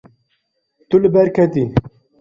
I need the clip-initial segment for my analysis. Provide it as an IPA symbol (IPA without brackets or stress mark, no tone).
t̪